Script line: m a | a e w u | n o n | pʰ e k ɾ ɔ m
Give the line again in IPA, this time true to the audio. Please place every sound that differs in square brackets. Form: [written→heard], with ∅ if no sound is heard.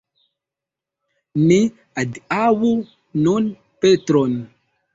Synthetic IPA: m [a→i] | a [e→a] w u | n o n | [pʰ→p] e [k→t] ɾ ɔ [m→n]